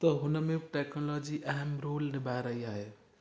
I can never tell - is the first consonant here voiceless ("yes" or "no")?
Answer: yes